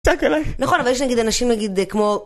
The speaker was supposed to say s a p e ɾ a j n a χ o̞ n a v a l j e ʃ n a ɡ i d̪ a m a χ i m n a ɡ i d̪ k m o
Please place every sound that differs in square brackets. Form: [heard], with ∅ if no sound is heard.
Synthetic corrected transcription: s a [k] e [l] a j n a χ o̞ n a v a l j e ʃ n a ɡ i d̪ a [n] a [ʃ] i m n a ɡ i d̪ k m o